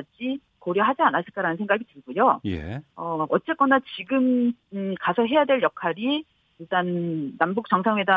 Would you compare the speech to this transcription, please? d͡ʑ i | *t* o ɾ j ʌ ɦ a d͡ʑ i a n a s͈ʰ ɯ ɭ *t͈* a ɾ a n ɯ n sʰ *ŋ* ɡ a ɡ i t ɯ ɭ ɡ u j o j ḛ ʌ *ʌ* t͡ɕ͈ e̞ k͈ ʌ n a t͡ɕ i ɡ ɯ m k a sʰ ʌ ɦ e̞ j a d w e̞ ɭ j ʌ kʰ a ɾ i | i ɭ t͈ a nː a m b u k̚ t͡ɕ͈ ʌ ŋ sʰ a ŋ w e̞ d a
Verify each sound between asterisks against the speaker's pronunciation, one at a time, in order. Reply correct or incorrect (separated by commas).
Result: incorrect, incorrect, correct, correct